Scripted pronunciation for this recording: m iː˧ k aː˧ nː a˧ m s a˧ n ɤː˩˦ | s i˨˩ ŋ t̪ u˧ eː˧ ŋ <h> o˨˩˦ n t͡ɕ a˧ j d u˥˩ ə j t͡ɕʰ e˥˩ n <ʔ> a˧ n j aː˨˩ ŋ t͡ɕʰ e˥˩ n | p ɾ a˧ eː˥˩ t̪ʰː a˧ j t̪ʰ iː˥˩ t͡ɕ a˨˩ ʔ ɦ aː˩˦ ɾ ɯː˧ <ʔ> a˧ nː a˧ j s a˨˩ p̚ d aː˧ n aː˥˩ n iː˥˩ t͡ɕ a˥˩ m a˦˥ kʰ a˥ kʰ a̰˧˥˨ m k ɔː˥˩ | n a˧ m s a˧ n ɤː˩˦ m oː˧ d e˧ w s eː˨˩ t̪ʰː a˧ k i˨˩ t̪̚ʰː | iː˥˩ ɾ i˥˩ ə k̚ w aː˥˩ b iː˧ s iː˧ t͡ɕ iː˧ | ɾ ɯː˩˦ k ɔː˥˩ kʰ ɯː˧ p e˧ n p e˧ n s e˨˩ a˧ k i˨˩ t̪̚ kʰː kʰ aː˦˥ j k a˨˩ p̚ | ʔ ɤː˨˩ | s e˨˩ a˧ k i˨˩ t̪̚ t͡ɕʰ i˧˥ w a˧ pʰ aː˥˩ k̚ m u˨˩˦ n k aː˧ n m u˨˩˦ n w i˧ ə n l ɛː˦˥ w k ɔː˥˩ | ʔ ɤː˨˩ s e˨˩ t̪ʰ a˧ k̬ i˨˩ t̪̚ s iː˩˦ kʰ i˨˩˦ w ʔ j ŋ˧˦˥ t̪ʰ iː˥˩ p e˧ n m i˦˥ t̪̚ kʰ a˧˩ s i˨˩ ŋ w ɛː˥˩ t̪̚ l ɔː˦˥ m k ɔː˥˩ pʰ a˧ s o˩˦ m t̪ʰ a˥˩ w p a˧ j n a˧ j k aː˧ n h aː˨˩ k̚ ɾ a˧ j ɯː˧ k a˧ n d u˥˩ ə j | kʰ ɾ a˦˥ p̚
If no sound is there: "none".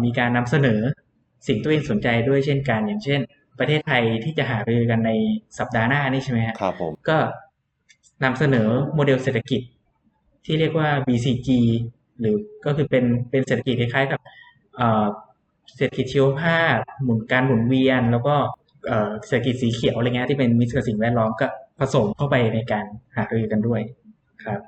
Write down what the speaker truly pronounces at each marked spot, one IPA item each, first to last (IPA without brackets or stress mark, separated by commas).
s, k, k